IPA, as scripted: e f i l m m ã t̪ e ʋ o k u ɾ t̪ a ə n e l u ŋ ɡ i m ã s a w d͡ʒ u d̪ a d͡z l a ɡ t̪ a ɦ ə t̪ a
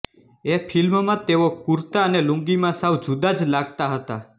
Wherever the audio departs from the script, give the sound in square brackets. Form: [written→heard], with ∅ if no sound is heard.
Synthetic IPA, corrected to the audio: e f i l m m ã t̪ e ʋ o k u ɾ t̪ a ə n e l u ŋ ɡ i m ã s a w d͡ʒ u d̪ a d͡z l a ɡ t̪ a ɦ ə t̪ a